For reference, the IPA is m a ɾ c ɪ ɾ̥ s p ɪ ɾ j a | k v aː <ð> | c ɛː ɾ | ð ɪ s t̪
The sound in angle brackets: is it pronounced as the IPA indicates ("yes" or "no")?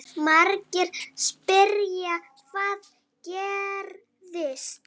yes